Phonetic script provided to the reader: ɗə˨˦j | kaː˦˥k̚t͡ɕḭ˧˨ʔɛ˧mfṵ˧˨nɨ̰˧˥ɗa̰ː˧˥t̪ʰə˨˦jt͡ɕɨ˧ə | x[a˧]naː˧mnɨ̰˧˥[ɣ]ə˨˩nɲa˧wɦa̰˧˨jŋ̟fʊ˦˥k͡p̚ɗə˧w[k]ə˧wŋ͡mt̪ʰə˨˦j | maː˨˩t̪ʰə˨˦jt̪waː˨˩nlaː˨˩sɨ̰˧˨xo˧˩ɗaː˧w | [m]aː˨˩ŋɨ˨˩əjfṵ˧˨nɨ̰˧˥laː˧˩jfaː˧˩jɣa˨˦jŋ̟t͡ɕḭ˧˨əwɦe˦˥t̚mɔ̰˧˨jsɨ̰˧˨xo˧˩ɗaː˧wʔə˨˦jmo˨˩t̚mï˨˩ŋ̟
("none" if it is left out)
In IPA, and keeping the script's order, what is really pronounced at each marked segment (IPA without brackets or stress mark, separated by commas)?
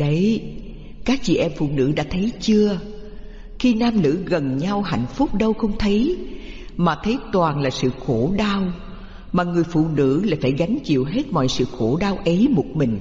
i˧, ɣ, x, m